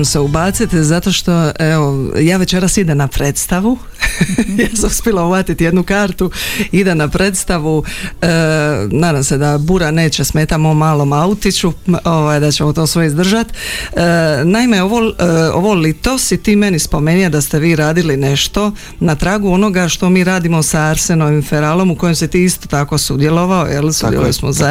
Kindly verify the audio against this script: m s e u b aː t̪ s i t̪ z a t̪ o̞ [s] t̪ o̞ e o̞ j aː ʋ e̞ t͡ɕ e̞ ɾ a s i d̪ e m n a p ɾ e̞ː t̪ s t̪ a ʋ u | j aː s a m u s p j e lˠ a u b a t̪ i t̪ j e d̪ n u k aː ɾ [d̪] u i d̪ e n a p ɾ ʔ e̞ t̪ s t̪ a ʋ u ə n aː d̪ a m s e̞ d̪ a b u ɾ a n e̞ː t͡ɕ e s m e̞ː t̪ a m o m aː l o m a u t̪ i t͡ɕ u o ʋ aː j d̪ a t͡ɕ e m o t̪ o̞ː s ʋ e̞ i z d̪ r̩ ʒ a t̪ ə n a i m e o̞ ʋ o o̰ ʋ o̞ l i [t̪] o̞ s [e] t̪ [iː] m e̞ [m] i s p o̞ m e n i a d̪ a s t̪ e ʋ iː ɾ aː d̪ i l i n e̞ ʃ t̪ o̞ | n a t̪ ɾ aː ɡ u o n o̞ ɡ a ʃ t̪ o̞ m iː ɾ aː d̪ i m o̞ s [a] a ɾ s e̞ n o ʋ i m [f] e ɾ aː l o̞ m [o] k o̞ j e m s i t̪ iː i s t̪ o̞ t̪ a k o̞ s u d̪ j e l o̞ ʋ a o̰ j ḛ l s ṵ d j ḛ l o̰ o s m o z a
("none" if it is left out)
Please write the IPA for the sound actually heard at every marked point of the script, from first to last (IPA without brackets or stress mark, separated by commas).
ʃ, t̪, t̪, i, iː, n, a, f, u